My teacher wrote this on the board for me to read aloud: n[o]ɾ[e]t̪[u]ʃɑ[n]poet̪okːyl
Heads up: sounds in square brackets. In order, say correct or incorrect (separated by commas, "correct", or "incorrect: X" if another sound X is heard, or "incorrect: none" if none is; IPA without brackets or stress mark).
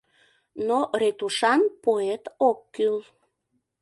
correct, correct, correct, correct